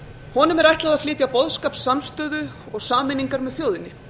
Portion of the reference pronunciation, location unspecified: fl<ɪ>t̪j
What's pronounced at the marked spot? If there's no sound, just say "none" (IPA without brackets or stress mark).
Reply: ɪː